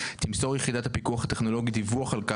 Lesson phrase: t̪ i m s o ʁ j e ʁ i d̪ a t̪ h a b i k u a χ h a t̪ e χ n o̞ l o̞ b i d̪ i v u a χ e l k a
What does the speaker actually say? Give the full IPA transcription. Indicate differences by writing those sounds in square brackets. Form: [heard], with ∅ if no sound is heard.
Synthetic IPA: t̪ i m s o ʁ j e [χ] i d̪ a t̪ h a [p] i k u a χ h a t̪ e χ n o̞ l o̞ [ɡ] i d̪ i v u a χ [a] l k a